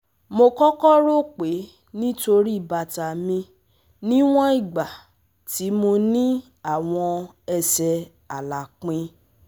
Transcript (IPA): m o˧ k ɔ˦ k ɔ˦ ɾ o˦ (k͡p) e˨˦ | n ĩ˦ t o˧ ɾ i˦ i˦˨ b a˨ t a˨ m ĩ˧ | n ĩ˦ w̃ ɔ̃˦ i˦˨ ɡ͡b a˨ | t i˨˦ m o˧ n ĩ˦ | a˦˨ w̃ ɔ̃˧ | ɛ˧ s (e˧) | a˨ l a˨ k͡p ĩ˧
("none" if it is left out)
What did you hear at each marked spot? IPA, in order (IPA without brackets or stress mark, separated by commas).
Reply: k͡p, ɛ˧